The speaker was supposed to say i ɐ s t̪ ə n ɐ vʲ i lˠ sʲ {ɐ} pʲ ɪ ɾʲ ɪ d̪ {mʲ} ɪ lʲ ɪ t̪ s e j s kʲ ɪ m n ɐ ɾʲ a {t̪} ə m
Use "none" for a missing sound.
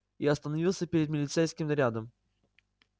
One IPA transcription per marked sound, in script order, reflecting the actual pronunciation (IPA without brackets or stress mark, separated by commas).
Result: ə, mʲ, d̪